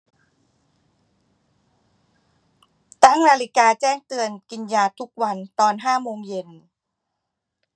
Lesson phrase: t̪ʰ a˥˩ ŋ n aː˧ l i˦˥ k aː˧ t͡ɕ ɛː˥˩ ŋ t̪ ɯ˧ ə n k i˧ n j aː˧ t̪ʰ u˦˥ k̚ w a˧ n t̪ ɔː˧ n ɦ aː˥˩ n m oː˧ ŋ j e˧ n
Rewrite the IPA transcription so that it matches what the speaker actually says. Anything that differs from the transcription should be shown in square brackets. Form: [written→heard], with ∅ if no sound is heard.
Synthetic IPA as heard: [t̪ʰ→t̪] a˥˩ ŋ n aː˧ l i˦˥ k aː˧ t͡ɕ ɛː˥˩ ŋ t̪ ɯ˧ ə n k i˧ n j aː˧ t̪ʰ u˦˥ k̚ w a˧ n t̪ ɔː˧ n ɦ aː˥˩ [n→∅] m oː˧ ŋ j e˧ n